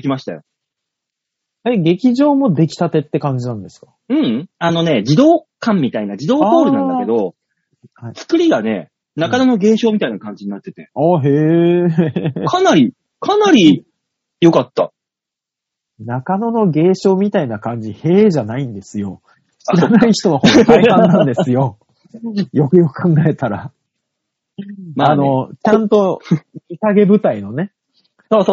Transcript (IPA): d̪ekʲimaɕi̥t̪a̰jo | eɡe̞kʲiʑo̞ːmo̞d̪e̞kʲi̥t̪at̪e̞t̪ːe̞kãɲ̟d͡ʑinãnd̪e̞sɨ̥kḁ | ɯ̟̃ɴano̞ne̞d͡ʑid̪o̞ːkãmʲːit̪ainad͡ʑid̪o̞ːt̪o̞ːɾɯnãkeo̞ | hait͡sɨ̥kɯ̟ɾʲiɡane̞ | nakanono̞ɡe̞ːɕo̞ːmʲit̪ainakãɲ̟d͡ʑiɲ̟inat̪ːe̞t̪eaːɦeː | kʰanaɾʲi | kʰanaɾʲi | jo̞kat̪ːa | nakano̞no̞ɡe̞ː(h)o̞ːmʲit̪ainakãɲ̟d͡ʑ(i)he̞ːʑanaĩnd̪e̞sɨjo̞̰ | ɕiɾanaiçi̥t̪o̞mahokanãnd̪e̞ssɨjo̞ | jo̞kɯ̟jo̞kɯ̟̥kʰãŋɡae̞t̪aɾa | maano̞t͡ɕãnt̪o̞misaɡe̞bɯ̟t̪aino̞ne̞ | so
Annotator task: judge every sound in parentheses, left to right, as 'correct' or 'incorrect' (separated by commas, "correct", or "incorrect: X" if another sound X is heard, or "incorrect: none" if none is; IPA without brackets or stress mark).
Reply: incorrect: ɕ, correct